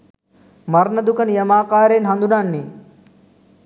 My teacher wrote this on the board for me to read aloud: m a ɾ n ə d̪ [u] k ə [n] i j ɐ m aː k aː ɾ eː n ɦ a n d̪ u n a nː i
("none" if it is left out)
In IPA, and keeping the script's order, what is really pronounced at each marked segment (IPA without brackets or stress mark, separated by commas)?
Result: u, n